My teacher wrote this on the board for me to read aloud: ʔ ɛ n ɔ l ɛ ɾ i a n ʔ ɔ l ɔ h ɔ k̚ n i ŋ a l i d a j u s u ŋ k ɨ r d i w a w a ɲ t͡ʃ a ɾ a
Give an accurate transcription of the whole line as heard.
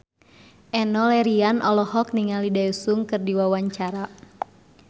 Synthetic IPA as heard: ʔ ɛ n ɔ l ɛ ɾ i a n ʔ ɔ l ɔ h ɔ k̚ n i ŋ a l i d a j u s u ŋ k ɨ r d i w a w a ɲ t͡ʃ a ɾ a